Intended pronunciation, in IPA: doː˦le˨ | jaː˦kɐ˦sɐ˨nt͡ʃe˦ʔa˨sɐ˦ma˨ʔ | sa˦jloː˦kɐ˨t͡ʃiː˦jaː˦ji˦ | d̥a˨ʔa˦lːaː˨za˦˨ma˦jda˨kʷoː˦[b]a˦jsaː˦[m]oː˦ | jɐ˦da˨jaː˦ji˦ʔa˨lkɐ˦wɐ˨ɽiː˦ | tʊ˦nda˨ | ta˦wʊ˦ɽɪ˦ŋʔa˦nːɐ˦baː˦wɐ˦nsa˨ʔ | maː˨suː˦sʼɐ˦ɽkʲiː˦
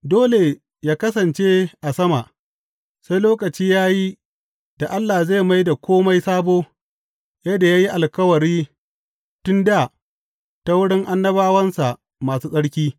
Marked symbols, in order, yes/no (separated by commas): no, no